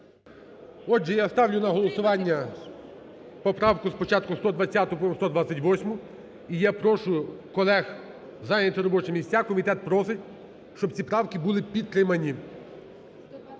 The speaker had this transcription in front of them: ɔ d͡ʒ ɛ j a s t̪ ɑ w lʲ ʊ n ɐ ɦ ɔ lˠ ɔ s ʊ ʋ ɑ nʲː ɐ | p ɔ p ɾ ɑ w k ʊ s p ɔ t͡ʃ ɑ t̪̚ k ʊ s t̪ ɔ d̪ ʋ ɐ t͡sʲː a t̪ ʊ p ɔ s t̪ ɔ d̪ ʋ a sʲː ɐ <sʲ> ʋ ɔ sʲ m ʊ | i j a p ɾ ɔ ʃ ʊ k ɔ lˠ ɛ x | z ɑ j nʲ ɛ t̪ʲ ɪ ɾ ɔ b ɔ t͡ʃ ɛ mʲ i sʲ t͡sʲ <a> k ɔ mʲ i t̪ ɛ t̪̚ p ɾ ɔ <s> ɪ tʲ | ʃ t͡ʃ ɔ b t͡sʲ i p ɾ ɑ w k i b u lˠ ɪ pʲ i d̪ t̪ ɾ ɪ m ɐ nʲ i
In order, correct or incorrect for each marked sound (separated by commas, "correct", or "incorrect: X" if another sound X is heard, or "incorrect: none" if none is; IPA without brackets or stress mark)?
incorrect: tʲ, correct, correct